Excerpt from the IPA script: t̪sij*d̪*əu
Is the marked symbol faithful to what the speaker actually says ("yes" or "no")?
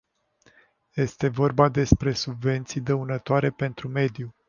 yes